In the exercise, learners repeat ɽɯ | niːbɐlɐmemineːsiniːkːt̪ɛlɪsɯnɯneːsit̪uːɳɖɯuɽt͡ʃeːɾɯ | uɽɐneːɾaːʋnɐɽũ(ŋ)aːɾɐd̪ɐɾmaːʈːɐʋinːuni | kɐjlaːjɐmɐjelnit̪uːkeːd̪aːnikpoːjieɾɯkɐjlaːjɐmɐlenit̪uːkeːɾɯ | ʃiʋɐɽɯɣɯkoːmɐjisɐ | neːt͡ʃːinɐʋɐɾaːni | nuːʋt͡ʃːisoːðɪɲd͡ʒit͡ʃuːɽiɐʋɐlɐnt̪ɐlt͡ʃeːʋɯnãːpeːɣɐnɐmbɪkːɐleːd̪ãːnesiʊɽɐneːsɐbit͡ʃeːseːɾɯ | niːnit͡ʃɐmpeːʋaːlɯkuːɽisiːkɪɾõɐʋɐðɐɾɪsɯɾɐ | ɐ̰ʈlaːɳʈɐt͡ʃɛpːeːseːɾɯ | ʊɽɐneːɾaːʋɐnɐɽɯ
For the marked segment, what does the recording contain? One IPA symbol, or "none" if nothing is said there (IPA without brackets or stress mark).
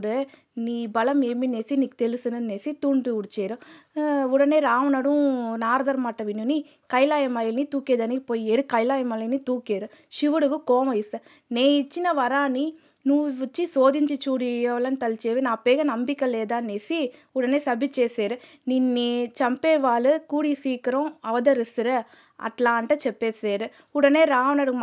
n